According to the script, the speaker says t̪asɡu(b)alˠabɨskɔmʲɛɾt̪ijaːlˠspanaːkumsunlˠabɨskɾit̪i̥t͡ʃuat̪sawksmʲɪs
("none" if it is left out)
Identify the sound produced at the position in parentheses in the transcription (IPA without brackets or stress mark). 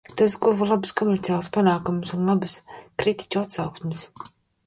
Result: v